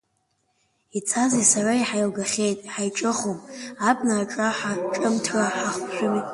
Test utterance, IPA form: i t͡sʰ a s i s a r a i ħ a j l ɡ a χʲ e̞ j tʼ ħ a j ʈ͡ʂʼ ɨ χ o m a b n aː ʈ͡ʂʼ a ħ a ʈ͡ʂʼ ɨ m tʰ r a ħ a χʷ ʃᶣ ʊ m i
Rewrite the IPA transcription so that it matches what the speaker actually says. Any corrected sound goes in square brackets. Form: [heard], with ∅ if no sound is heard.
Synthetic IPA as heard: i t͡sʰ a [z] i s a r a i ħ a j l ɡ a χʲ e̞ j tʼ ħ a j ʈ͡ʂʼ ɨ χ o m a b n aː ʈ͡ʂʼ a ħ a ʈ͡ʂʼ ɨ m tʰ r a ħ a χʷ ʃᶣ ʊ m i

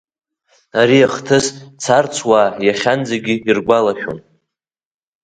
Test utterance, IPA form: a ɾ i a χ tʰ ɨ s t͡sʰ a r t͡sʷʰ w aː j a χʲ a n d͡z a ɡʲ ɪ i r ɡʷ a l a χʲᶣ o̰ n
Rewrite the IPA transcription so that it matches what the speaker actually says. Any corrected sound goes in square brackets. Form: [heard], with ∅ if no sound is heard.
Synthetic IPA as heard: a ɾ i a χ tʰ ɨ s t͡sʰ a r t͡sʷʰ w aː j a χʲ a n d͡z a ɡʲ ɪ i r ɡʷ a l a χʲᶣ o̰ n

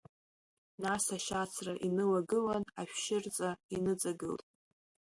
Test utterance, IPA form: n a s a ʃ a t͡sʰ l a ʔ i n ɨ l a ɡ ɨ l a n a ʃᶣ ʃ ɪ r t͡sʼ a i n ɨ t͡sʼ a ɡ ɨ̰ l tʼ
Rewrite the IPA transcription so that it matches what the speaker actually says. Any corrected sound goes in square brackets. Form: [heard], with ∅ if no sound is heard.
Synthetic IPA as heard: n a s a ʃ a t͡sʰ [r] a ʔ i n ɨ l a ɡ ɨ l a n a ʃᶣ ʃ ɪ r t͡sʼ a i n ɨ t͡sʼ a ɡ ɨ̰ l tʼ

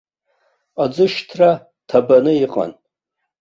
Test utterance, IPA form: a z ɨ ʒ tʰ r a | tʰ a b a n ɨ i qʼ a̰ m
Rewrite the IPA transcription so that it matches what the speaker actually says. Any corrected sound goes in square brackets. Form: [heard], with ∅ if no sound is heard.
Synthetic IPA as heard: a [d͡z] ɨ [ʃ] tʰ r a | tʰ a b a n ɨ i qʼ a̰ [n]

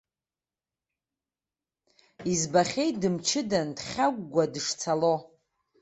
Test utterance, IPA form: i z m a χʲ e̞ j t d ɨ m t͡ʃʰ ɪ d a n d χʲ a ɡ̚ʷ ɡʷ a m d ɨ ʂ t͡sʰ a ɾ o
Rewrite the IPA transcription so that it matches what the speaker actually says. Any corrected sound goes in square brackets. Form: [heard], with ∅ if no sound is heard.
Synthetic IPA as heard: i z [b] a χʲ e̞ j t d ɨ m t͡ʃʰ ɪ d a n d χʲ a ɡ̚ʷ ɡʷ a [∅] d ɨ ʂ t͡sʰ a [l] o

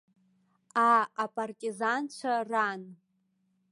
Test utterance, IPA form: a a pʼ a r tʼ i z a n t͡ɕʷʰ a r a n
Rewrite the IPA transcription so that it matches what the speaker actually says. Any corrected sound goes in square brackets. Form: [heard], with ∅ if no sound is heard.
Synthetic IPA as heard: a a pʼ a r tʼ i z a n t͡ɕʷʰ a r a n

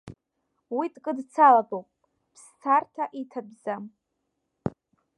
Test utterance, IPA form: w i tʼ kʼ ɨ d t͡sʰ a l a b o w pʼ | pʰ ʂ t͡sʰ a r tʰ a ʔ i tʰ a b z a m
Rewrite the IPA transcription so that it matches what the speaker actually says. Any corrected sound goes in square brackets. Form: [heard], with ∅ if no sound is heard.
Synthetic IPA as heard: w i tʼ kʼ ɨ d t͡sʰ a l a b o w pʼ | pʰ [s] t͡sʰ a r tʰ a ʔ i tʰ a b z a m

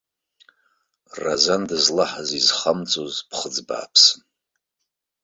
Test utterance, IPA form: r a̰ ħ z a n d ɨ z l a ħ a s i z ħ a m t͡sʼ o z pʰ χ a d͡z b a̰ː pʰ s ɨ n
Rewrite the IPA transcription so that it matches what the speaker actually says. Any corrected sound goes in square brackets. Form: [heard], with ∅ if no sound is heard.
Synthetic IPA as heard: r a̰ [∅] z a n d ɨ z l a ħ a [z] i z [χ] a m t͡sʼ o z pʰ χ [ə] d͡z b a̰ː pʰ s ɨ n

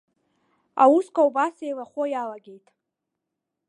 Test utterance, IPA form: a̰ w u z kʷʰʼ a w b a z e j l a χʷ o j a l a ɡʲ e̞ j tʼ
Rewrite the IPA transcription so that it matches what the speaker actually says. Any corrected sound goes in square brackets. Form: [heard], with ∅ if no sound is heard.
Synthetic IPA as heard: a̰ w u [s] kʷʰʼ a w b a [s] e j l a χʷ o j a l a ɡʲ e̞ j tʼ

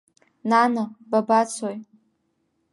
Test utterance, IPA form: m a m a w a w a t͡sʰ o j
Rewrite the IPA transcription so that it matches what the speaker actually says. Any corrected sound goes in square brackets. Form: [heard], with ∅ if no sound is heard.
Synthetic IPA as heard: [n] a [n] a [b] a [b] a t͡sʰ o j

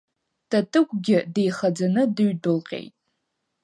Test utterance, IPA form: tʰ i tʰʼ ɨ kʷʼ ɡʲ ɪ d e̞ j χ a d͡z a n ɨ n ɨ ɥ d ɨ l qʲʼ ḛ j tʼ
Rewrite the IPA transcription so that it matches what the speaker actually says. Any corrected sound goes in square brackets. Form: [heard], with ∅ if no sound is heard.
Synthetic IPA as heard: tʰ [a] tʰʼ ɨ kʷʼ ɡʲ ɪ d e̞ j χ a d͡z a n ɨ [d] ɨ ɥ d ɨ l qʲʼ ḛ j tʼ

